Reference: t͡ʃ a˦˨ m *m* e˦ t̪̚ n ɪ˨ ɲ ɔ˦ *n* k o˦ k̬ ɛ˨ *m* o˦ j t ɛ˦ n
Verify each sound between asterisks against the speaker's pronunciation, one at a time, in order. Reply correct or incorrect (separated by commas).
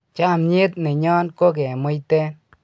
incorrect, correct, correct